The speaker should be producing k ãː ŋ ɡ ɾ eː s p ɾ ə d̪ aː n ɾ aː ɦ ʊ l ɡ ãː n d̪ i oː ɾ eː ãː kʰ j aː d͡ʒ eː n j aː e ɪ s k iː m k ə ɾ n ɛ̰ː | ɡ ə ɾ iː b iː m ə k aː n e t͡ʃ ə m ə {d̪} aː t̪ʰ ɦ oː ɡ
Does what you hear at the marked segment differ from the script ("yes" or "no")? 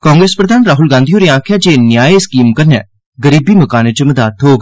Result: no